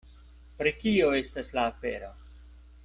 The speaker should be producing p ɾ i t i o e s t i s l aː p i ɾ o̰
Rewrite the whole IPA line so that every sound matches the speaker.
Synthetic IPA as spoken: p ɾ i k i o e s t a s l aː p e ɾ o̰